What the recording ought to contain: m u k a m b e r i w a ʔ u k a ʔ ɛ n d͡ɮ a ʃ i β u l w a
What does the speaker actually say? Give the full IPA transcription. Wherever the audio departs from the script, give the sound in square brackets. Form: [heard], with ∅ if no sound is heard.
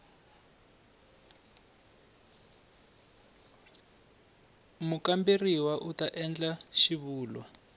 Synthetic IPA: m u k a m b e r i w a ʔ u [t] a ʔ ɛ n d͡ɮ a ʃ i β [uː] l w a